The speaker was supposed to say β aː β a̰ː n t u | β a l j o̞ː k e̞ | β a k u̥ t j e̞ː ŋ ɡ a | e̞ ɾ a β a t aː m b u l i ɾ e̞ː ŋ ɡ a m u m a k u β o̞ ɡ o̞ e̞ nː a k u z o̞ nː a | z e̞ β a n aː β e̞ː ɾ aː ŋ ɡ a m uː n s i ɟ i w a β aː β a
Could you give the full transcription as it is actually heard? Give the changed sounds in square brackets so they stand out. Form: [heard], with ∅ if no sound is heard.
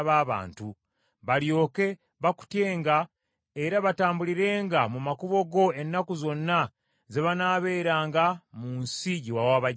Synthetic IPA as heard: β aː β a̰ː n t u | β a l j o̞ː k e̞ | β a k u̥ t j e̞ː ŋ ɡ a | e̞ ɾ a β a t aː m b u l i ɾ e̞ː ŋ ɡ a m u m a k u β o̞ ɡ o̞ e̞ nː a k u z o̞ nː a | z e̞ β a n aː β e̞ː ɾ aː ŋ ɡ a m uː n s i ɟ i w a [w] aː β a